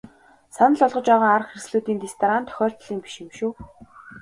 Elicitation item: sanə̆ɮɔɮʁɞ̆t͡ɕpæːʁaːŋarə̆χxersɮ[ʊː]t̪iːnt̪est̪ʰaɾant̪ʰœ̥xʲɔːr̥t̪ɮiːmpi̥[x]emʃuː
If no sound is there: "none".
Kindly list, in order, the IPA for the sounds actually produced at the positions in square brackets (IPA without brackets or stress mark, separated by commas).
uː, ʃ